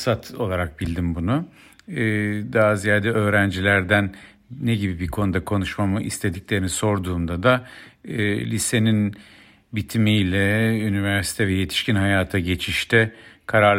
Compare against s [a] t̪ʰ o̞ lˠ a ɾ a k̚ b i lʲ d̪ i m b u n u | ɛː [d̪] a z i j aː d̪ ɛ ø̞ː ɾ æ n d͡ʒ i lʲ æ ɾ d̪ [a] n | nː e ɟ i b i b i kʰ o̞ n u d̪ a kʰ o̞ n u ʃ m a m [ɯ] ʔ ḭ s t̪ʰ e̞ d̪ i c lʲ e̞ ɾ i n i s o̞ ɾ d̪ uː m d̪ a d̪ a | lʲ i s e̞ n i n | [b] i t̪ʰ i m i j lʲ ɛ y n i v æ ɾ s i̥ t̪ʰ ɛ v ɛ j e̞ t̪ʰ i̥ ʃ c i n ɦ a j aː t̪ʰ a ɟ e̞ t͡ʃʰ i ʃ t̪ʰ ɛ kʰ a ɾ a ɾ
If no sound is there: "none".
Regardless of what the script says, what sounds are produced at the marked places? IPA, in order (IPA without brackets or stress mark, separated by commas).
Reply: a, d̪, æ, ɯ, b